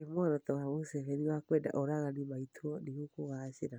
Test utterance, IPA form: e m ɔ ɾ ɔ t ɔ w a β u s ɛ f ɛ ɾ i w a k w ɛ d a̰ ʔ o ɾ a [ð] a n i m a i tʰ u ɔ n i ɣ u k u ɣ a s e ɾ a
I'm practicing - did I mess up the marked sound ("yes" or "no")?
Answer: yes